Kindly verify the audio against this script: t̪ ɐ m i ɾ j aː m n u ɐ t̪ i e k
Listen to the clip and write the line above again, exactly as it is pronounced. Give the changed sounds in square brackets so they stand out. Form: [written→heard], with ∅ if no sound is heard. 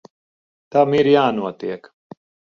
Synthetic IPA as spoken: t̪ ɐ m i ɾ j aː [m→∅] n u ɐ t̪ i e k